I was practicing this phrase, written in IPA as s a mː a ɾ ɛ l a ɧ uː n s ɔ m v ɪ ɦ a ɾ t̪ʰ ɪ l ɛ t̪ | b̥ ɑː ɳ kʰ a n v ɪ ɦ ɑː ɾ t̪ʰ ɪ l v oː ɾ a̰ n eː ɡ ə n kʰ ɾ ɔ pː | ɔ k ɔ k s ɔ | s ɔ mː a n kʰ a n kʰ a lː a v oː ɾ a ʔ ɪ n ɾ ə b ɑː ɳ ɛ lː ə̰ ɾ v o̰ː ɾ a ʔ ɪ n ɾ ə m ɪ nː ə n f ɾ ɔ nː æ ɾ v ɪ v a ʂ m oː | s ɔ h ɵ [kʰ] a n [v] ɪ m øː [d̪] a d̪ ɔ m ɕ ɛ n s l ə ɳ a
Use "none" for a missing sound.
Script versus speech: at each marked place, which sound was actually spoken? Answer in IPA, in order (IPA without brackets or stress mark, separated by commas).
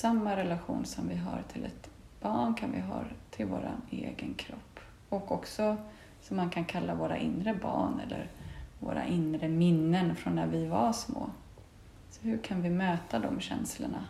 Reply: kʰ, v, t̪